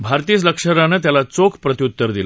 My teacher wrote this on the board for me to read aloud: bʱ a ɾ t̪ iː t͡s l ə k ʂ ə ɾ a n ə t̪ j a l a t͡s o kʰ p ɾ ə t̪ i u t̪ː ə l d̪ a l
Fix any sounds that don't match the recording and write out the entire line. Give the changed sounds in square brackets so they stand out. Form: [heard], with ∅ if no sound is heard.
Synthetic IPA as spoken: bʱ a ɾ t̪ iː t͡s l ə k ʂ ə ɾ a n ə t̪ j a l a t͡s o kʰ p ɾ ə t̪ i u t̪ː ə [ɾ] d̪ [i] l